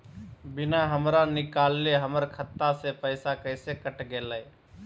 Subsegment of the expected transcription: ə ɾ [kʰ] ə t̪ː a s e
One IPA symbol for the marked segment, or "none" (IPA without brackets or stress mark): kʰ